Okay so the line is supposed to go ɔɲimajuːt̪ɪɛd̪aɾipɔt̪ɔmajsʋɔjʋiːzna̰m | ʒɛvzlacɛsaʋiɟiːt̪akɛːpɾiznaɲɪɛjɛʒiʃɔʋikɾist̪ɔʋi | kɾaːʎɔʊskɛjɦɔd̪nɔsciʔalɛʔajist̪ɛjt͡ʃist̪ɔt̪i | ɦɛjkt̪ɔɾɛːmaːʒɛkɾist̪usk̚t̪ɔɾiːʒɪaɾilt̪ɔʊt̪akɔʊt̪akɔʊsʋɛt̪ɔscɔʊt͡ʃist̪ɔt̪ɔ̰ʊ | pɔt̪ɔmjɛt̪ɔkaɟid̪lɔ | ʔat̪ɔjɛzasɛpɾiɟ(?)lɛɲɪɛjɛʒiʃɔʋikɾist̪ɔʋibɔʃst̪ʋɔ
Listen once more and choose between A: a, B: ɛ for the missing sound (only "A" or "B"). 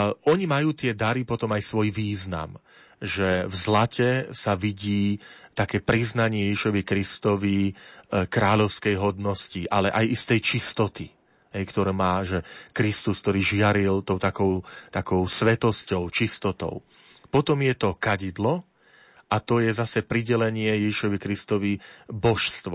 B